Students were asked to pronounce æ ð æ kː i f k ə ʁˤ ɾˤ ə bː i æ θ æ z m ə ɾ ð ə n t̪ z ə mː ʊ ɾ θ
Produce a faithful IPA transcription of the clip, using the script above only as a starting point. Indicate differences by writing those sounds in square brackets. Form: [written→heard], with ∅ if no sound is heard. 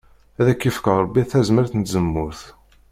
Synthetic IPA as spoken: æ ð æ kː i f k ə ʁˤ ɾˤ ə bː i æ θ æ z m ə ɾ [ð→θ] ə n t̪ z ə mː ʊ ɾ θ